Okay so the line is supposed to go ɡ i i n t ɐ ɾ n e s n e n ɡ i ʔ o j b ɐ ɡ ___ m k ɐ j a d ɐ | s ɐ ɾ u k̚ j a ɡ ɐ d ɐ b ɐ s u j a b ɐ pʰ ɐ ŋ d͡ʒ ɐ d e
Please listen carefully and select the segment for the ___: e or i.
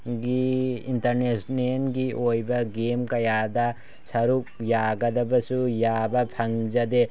e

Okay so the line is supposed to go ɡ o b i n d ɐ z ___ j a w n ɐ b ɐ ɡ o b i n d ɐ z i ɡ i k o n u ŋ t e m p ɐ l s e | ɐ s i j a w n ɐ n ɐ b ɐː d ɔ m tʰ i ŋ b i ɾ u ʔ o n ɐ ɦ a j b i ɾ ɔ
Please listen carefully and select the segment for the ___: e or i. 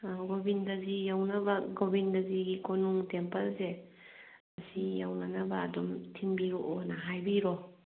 i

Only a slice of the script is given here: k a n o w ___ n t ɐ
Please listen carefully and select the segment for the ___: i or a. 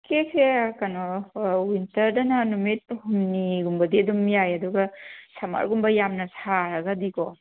i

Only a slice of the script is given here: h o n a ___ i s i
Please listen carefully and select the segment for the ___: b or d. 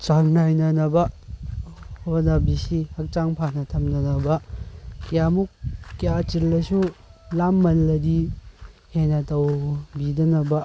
b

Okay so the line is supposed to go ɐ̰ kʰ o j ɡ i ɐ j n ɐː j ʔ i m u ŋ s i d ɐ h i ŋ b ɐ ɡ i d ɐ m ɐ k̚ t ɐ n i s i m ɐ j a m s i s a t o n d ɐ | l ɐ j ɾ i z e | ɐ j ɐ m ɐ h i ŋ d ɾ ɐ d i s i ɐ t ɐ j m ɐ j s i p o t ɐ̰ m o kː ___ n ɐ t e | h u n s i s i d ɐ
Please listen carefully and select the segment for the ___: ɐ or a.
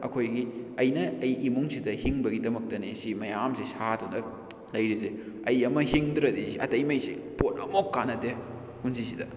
a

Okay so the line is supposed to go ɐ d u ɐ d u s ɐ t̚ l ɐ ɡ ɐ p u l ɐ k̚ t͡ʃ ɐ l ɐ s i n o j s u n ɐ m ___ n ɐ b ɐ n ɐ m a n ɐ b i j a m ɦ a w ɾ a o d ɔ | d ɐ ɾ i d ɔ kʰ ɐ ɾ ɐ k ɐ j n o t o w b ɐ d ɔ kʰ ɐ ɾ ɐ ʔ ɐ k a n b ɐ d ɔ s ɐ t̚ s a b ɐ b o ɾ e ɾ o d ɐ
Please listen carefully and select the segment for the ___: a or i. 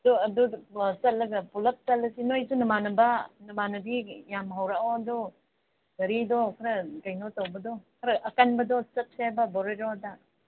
a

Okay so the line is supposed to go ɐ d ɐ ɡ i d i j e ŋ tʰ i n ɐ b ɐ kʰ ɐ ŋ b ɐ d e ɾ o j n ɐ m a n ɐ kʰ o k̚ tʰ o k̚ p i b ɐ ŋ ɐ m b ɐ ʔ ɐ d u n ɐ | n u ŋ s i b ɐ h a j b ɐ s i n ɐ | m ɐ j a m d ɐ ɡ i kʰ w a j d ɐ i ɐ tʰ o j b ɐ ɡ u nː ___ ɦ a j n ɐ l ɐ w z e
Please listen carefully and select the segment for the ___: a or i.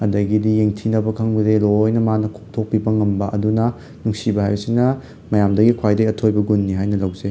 i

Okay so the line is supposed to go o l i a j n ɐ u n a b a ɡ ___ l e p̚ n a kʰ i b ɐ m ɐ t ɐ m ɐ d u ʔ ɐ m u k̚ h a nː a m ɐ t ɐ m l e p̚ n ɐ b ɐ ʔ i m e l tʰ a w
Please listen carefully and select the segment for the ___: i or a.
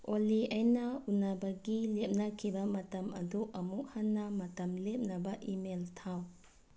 i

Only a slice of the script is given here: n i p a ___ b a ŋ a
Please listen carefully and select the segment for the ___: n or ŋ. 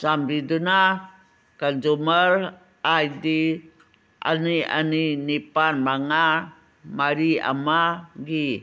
n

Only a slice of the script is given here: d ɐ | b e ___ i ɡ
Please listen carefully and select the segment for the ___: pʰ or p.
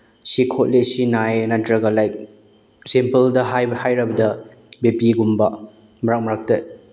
p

